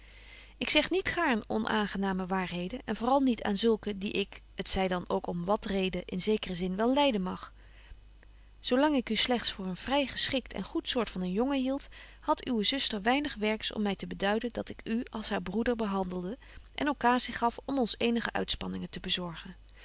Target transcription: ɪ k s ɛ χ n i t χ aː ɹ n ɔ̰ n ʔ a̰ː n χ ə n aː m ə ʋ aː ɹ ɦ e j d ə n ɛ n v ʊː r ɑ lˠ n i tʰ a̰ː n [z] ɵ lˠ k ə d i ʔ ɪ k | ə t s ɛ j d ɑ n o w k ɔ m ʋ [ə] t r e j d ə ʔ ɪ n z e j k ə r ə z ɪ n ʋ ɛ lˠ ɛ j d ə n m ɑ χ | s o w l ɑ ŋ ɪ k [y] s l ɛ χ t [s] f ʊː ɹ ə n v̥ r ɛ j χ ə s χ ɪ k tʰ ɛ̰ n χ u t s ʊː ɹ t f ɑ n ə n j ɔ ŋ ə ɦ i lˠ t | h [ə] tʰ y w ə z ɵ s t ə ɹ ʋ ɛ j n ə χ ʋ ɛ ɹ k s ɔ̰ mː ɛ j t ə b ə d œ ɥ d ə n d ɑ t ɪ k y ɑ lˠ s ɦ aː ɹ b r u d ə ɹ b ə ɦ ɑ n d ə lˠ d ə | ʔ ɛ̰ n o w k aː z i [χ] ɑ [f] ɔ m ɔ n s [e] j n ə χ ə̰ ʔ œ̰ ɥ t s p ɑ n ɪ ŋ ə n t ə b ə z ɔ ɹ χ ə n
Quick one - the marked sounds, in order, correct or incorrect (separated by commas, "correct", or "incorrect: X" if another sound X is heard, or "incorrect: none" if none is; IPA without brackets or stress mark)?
correct, incorrect: ɑ, correct, correct, incorrect: ɑ, correct, correct, correct